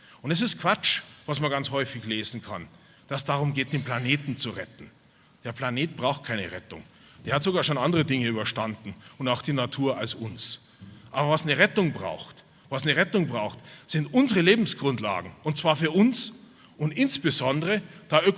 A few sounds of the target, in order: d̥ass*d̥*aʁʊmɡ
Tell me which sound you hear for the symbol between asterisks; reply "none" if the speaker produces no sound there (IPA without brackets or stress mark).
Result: d̥